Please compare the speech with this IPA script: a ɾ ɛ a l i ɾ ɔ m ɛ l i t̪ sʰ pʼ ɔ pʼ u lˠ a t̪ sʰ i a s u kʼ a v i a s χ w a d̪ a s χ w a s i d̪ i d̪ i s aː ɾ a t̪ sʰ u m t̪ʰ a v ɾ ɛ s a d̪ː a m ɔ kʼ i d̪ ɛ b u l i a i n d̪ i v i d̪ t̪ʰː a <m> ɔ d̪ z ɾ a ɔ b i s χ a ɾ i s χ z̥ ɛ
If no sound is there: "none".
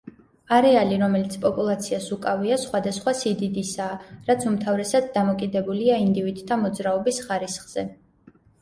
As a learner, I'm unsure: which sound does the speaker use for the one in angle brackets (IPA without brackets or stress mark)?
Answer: m